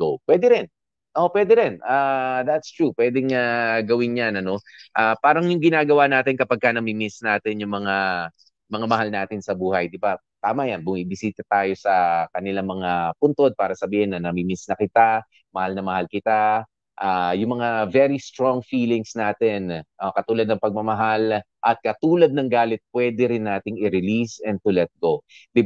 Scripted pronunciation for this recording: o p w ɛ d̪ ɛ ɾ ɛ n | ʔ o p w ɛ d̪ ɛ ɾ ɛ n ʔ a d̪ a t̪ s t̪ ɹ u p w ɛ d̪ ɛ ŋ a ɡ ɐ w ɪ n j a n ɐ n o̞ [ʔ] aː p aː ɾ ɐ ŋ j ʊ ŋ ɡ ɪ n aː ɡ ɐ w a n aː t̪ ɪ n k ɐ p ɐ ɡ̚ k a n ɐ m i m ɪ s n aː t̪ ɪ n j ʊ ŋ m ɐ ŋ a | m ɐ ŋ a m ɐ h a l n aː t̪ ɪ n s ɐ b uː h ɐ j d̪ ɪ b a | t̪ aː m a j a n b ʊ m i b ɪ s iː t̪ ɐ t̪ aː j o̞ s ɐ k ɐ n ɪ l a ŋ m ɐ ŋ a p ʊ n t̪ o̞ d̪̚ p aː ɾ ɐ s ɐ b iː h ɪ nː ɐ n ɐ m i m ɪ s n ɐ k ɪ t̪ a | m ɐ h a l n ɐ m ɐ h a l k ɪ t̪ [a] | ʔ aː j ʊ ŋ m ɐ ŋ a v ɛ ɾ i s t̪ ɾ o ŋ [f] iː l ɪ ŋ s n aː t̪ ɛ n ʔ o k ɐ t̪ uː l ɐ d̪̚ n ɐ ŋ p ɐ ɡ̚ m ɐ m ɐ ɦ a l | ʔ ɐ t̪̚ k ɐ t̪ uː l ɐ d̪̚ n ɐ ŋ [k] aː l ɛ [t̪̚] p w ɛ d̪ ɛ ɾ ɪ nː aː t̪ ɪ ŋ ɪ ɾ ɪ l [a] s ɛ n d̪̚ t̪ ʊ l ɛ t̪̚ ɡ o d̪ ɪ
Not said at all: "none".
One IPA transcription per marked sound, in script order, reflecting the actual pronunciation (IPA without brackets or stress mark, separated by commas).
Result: ʔ, a, f, ɡ, t̪̚, i